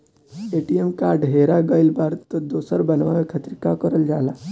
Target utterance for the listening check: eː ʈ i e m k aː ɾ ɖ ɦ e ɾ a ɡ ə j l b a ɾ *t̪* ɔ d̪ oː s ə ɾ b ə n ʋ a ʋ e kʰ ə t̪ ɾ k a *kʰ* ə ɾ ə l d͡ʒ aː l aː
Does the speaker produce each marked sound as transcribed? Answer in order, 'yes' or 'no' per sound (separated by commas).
yes, no